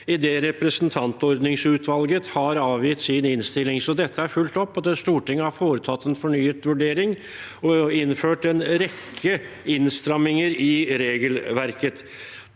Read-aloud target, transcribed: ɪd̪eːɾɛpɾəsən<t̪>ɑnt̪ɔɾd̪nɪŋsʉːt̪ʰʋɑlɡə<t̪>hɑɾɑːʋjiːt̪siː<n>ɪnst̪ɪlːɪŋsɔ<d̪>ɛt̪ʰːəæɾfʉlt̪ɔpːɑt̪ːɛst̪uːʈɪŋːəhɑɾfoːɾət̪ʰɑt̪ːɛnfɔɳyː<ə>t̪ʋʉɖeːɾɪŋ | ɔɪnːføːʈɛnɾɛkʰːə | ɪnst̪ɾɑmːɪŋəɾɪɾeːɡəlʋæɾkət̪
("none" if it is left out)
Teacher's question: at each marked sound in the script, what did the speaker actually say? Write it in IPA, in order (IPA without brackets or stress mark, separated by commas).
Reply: t̪ʰ, t̪, n, d̪, ə